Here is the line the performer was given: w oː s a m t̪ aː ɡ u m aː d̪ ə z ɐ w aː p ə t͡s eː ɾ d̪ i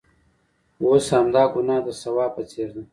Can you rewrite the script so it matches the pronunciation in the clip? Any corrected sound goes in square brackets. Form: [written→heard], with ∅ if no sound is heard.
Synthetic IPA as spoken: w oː s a m [t̪→d̪] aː ɡ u [m→n] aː d̪ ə [z→s] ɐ w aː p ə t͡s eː ɾ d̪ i

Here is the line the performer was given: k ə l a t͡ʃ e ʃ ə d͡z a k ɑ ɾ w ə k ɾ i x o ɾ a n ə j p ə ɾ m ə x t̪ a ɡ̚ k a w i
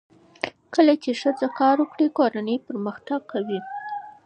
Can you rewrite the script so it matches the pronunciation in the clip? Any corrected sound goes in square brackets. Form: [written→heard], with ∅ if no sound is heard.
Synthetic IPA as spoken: k ə l a t͡ʃ e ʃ ə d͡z a k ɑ ɾ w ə k [ɾ→ɽ] i [x→k] o ɾ a n ə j p ə ɾ m ə x t̪ a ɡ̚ k a w i

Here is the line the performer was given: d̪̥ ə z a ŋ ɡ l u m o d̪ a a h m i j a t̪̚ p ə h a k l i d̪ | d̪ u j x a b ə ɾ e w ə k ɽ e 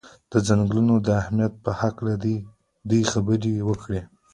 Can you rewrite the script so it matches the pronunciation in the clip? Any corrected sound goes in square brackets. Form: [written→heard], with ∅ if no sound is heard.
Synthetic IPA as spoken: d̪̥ ə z a ŋ ɡ l u [m→n] o d̪ [a→ə] a h m i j a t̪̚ p ə h a k l [i→a] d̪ | d̪ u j x a b ə ɾ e w ə k ɽ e

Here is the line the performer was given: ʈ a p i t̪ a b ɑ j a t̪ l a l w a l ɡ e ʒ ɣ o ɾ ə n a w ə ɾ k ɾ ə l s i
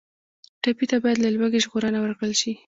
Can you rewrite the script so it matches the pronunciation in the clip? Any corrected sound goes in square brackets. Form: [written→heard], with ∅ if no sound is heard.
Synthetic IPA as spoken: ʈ a p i t̪ a b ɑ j a [t̪→d̪] l a l w a [l→∅] ɡ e ʒ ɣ o ɾ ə n a w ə ɾ k [ɾ→ɽ] ə l [s→ʃ] i

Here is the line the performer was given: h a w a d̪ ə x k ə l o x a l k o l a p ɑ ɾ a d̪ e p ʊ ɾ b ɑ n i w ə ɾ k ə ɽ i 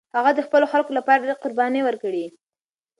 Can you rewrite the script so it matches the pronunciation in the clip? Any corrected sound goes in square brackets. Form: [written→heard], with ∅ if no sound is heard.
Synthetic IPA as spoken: h a [w→ɣ] a d̪ ə x [k→p] ə l o x a l k o l a p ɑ ɾ a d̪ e [p→q] ʊ ɾ b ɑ n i w ə ɾ k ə ɽ i

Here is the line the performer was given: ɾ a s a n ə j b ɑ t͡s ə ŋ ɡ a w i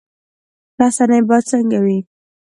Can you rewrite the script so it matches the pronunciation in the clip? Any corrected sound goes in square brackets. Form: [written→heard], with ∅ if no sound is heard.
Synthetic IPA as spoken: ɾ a s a n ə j b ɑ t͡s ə ŋ ɡ a w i

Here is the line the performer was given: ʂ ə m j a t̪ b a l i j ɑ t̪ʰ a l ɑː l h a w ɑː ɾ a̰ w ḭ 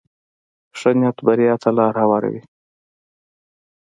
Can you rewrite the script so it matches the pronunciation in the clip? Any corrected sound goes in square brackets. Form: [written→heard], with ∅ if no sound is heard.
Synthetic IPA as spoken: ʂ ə [m→n] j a t̪ b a [l→ɾ] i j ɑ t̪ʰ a l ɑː [l→ɾ] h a w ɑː ɾ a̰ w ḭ

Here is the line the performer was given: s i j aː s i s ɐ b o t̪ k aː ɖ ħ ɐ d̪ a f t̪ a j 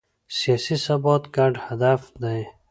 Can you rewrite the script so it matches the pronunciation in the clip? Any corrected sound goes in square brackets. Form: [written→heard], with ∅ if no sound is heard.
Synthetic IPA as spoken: s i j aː s i s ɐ b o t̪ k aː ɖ [ħ→h] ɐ d̪ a f [t̪→d̪] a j

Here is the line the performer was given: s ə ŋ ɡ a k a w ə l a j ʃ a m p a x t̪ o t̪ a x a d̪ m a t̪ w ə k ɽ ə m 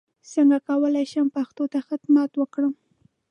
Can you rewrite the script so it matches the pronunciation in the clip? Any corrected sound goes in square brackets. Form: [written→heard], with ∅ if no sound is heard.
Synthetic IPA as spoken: s ə ŋ ɡ a k a w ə l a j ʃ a m p a x t̪ o t̪ a x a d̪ m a t̪ w ə k ɽ ə m

